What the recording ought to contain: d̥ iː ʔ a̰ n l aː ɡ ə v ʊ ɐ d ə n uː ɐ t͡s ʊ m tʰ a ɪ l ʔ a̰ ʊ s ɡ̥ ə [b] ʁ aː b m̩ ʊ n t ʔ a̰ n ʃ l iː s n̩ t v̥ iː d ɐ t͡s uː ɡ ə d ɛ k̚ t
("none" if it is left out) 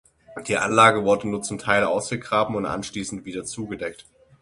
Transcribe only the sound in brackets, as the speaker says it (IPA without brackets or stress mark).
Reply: ɡ